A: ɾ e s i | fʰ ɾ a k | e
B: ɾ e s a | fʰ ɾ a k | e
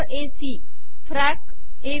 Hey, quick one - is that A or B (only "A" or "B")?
A